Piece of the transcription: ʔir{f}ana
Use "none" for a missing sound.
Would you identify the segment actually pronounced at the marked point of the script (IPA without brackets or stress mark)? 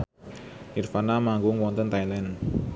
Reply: f